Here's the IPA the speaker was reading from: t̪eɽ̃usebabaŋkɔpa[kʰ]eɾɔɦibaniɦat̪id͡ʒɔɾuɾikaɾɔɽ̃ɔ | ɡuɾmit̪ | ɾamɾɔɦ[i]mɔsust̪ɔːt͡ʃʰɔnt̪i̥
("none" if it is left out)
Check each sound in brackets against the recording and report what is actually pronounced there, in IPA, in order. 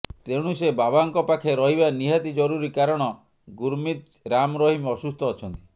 kʰ, i

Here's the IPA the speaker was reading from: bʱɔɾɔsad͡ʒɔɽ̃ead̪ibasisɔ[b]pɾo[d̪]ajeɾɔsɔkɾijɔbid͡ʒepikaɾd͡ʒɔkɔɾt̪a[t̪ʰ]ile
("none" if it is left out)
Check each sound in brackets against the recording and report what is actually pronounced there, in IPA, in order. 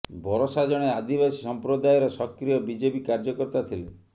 m, d̪, t̪ʰ

